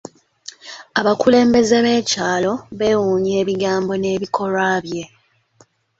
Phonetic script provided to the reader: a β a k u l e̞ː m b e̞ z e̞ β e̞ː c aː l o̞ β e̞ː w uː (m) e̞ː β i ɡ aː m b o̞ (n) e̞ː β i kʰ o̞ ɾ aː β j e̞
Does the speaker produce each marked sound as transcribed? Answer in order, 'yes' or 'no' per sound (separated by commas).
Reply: no, yes